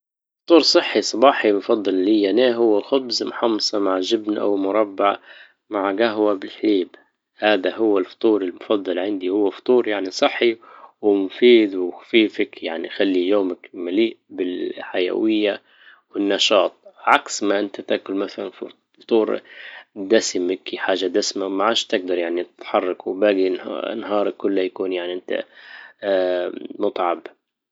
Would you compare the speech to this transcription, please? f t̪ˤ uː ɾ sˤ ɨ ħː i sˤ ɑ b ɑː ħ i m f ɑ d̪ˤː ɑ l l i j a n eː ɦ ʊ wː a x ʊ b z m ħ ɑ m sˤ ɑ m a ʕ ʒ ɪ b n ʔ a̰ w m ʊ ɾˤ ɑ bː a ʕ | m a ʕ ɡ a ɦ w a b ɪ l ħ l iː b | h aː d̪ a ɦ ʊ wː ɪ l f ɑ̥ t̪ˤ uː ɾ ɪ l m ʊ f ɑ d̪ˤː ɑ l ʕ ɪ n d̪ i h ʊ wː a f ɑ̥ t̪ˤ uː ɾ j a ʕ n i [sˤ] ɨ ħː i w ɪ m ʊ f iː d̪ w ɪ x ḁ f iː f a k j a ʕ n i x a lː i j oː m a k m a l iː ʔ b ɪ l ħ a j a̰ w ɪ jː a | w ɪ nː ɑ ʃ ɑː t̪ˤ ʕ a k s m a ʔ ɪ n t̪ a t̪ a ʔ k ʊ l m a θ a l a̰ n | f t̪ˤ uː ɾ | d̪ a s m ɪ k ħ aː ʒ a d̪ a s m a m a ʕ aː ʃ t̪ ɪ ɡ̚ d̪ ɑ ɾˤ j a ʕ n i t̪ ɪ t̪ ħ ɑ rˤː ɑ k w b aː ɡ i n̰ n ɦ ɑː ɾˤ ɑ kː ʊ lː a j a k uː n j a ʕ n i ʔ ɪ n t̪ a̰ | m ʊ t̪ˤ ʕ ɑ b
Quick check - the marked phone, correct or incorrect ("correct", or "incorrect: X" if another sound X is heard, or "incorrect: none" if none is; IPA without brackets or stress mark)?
correct